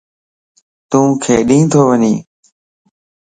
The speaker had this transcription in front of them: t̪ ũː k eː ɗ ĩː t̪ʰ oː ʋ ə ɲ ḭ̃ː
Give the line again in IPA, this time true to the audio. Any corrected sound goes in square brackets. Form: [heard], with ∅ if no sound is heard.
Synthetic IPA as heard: t̪ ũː [kʰ] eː ɗ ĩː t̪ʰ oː ʋ ə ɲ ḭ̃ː